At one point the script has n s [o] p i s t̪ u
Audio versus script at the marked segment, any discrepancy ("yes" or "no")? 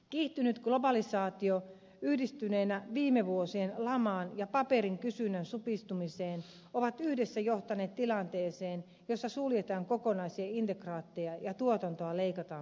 yes